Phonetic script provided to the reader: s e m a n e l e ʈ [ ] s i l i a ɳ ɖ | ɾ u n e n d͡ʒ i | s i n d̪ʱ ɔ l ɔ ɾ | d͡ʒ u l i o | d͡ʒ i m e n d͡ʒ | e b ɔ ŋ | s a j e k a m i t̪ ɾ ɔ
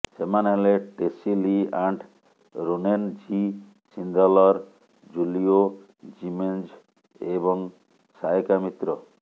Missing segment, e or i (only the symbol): e